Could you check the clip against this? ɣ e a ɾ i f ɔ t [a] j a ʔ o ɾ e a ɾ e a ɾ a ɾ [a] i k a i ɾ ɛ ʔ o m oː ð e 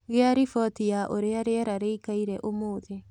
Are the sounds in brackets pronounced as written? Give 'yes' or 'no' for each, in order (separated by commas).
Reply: no, no